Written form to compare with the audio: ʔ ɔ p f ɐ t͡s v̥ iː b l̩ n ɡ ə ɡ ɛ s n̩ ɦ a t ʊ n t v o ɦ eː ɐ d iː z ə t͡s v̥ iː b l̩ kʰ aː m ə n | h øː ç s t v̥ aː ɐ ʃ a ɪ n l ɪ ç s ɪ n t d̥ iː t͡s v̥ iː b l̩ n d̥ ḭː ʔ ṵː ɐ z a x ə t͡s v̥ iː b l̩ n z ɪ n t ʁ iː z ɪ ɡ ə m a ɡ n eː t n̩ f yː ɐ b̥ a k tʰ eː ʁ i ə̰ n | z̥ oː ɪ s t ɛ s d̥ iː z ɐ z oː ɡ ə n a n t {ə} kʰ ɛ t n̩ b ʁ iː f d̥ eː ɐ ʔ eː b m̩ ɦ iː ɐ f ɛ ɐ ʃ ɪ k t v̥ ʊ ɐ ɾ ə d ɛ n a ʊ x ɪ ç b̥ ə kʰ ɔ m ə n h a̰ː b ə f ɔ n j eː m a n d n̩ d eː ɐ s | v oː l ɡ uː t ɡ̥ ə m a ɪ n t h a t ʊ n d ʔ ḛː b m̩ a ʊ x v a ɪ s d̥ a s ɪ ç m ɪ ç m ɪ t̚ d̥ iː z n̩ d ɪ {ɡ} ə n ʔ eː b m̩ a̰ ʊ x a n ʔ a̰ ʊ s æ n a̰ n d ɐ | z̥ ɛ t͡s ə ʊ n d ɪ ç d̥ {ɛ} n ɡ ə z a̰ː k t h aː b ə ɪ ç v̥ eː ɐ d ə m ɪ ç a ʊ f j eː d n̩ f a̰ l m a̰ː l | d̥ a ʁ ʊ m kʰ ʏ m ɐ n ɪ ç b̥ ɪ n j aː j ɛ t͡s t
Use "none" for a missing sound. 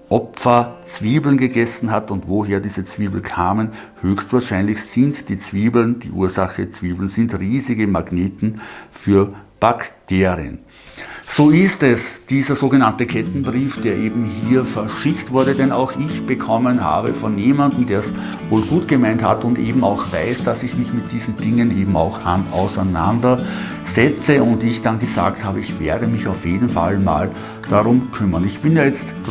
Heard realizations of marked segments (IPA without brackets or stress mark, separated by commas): ə, ŋ, a